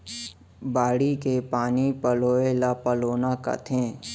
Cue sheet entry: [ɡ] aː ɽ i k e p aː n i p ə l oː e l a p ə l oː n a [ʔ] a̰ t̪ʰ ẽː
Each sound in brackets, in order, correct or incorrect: incorrect: b, incorrect: k

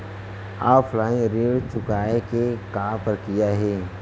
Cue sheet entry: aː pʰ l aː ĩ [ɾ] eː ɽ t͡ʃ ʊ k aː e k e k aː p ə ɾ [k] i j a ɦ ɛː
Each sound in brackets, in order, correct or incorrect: correct, correct

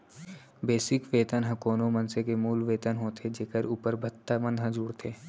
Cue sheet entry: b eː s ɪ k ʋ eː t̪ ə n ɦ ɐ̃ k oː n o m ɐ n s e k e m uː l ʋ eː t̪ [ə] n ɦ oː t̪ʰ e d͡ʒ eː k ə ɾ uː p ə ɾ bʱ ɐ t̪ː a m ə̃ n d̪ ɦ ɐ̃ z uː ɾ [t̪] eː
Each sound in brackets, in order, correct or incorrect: correct, incorrect: t̪ʰ

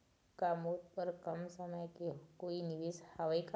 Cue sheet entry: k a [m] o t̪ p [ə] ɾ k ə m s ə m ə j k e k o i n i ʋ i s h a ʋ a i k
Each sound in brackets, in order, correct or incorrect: correct, correct

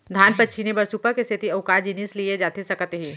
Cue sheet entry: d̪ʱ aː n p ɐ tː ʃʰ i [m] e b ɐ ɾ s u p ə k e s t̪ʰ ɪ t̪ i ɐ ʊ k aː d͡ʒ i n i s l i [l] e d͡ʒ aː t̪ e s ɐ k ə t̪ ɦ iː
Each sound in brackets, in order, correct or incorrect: incorrect: n, incorrect: none

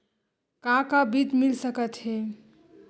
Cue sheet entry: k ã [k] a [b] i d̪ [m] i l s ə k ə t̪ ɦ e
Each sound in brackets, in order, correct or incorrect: correct, correct, correct

